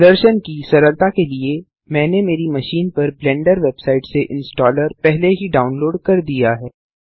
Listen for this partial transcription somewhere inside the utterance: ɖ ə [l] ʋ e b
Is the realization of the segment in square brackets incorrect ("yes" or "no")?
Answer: yes